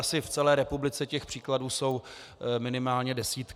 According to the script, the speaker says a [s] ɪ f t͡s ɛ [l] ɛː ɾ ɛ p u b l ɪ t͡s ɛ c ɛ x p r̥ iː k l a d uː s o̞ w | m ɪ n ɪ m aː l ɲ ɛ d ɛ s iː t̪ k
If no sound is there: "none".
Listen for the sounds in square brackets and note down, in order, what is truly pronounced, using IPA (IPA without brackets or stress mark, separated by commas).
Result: s, l